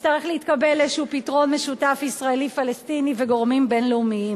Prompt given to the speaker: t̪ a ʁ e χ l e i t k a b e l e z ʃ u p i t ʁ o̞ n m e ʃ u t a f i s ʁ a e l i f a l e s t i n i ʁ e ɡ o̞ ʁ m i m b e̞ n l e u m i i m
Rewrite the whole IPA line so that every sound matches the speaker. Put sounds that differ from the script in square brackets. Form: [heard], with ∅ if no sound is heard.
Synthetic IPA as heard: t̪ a ʁ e χ l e i t k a b e l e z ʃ u p i t ʁ o̞ n m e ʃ u t a f i s ʁ a e l i f a l e s t i n i [v] e ɡ o̞ ʁ m i m b e̞ n l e u m i i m